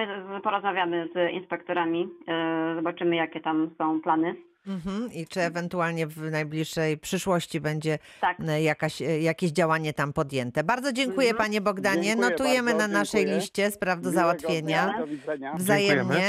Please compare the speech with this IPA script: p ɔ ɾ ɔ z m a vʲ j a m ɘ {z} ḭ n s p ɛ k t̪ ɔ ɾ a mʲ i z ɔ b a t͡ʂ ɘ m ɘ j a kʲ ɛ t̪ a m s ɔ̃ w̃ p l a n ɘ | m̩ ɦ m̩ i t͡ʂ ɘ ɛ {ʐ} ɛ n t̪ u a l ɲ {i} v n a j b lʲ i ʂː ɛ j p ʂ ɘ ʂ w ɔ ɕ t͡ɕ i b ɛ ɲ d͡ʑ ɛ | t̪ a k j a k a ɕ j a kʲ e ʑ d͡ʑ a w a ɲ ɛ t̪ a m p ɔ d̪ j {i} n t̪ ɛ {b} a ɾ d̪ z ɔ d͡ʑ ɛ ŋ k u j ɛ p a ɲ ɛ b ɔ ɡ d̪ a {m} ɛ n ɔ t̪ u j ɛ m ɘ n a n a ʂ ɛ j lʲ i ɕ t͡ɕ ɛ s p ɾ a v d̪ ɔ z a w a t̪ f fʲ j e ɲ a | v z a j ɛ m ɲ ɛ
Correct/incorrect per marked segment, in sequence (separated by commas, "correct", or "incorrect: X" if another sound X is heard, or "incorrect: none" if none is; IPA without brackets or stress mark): correct, incorrect: v, incorrect: ɛ, incorrect: ɛ, correct, incorrect: ɲ